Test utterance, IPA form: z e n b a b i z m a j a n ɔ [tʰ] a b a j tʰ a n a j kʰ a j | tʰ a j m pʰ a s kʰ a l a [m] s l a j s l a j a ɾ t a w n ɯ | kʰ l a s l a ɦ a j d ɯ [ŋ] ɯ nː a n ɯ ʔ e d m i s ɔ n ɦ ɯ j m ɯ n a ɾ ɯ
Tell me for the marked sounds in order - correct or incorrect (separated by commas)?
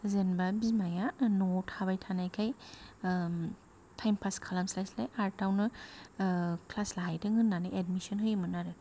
correct, correct, correct